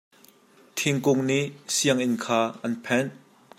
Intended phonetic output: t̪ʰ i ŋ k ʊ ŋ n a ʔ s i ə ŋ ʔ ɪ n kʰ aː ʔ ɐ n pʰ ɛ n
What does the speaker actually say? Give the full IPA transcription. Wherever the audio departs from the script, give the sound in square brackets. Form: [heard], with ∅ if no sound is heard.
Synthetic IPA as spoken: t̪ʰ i ŋ k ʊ ŋ n [i] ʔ s i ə ŋ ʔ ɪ n kʰ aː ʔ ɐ n pʰ ɛ n